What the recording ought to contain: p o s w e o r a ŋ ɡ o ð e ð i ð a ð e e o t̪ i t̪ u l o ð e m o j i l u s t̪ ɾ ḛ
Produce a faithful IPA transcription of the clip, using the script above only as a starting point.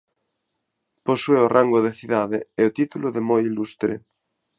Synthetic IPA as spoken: p o s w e o r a ŋ ɡ o ð e θ i ð a ð e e o t̪ i t̪ u l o ð e m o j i l u s t̪ ɾ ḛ